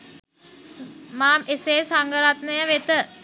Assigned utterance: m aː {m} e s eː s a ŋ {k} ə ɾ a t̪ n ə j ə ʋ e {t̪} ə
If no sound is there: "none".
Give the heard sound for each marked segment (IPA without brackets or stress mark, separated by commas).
m, ɡ, t̪